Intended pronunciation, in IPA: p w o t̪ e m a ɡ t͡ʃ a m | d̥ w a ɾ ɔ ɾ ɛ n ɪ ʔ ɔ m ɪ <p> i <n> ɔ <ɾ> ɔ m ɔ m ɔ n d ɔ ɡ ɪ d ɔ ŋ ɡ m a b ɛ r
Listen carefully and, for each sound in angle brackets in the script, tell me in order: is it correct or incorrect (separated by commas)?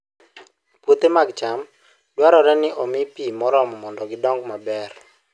correct, incorrect, correct